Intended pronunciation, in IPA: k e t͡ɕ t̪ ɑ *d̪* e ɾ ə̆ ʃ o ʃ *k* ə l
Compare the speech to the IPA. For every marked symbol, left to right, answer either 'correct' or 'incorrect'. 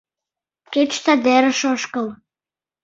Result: correct, correct

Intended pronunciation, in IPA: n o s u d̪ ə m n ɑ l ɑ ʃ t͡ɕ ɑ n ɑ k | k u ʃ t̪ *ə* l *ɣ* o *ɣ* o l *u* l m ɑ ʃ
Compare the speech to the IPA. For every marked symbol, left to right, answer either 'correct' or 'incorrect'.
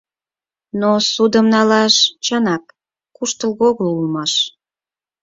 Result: correct, correct, correct, correct

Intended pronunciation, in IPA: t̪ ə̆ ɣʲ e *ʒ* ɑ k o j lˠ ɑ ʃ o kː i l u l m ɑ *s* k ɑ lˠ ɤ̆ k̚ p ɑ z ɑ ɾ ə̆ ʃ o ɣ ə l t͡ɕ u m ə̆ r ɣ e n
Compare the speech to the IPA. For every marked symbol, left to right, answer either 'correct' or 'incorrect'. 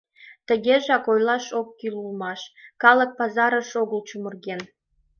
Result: correct, incorrect

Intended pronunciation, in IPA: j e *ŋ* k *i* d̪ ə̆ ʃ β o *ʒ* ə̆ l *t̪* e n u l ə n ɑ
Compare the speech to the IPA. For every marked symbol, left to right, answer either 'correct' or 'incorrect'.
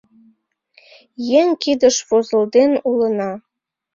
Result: correct, correct, incorrect, incorrect

